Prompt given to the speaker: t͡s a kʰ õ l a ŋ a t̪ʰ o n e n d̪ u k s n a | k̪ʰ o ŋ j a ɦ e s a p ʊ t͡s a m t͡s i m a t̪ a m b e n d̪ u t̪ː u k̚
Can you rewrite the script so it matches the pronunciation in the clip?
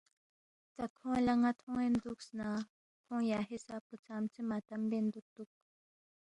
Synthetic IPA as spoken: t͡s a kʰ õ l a ŋ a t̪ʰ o ŋ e n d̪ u k s n a | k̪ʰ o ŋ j a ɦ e s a p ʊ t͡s a m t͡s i m a t̪ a m b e n d̪ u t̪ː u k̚